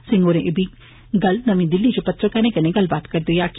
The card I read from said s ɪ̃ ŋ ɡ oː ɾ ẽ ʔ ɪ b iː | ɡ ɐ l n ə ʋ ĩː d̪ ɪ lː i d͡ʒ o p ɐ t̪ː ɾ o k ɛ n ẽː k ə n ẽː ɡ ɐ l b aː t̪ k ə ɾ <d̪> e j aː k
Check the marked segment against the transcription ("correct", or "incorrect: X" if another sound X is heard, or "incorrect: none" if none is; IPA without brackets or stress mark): correct